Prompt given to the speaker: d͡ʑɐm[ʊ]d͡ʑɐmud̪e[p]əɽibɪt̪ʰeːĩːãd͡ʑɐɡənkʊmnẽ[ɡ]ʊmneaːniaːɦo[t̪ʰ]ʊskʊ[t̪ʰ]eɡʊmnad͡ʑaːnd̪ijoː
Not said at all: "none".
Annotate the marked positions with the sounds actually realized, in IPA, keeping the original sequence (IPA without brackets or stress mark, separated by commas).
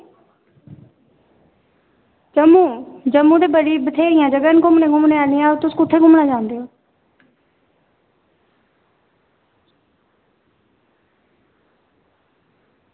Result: u, b, ɡ, t̪, t̪ʰ